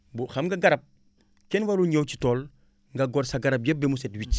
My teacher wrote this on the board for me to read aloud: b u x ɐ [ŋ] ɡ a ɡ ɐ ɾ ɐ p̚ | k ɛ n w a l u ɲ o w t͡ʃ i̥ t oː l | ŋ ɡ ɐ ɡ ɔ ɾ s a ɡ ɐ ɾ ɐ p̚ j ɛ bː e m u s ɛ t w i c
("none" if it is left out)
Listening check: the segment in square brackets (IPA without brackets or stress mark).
m